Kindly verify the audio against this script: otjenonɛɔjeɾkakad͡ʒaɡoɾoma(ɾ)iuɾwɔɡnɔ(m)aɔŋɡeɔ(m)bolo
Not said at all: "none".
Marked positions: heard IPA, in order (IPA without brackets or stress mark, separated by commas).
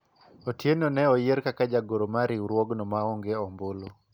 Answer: ɾ, m, m